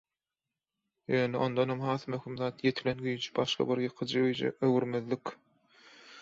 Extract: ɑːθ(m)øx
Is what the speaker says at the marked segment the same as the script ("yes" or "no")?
yes